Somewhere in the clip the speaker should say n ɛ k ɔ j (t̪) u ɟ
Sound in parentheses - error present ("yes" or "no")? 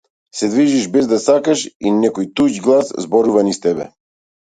no